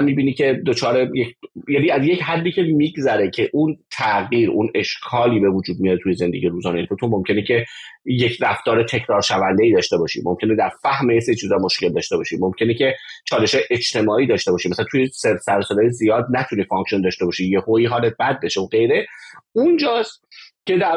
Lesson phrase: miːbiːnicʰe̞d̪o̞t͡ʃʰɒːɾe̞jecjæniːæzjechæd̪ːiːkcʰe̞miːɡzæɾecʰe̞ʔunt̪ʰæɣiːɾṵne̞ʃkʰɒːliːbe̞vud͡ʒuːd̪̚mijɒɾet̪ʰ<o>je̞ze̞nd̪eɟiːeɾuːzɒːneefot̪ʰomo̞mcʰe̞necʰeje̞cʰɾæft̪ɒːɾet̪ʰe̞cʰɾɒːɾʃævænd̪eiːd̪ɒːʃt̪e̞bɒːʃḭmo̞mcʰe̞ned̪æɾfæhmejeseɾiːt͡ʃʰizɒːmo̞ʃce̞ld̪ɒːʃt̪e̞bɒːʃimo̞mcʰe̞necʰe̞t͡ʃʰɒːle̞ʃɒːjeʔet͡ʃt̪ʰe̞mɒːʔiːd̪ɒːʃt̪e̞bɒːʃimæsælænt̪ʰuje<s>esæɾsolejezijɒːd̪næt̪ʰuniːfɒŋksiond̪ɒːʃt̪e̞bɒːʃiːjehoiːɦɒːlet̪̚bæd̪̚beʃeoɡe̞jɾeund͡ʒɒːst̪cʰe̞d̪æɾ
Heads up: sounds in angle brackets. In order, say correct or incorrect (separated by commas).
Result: incorrect, correct